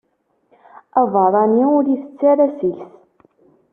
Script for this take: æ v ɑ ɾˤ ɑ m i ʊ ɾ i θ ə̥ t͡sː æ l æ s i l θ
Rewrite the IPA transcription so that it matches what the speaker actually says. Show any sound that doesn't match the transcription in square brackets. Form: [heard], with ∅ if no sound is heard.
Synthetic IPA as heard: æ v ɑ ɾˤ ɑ [n] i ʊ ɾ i θ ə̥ t͡sː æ [ɾ] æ s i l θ